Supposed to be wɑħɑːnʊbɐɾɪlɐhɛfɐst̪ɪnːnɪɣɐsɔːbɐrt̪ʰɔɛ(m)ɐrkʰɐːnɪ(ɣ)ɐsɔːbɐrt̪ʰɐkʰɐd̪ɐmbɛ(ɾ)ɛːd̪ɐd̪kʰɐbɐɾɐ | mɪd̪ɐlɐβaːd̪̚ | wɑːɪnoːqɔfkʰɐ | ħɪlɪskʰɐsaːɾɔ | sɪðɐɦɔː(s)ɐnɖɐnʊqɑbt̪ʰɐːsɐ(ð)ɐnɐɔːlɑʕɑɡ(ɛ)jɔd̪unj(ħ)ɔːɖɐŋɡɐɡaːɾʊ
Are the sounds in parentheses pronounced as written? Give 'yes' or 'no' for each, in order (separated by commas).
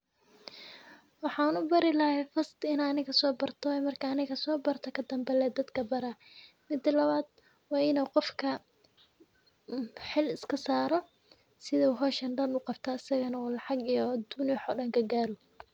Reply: yes, yes, no, no, no, no, yes